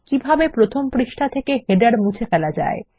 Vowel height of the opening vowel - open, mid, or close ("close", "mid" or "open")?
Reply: close